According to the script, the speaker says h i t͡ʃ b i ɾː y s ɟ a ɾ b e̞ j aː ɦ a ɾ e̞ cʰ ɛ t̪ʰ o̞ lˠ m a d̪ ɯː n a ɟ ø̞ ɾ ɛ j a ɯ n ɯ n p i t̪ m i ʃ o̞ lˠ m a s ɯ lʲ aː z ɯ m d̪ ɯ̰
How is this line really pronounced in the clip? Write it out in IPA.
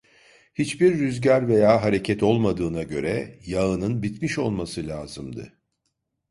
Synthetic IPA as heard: h i t͡ʃ b i ɾː y z ɟ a ɾ v e̞ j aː ɦ a ɾ e̞ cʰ ɛ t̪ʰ o̞ lˠ m a d̪ ɯː n a ɟ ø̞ ɾ ɛ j a ɯ n ɯ n b i t̪ m i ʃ o̞ lˠ m a s ɯ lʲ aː z ɯ m d̪ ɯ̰